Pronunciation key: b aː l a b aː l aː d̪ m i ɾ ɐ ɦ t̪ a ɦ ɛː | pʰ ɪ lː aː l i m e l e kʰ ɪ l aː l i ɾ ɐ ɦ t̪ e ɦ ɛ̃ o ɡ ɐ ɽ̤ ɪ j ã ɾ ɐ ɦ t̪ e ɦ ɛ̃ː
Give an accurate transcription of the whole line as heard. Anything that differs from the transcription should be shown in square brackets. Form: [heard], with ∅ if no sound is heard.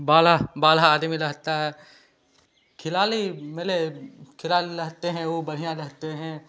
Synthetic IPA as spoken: b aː l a b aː l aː d̪ m i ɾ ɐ ɦ t̪ a ɦ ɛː | [kʰ] ɪ [l] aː l i m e l e kʰ ɪ l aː l i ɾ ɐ ɦ t̪ e ɦ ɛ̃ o [b] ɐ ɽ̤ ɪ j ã ɾ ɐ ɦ t̪ e ɦ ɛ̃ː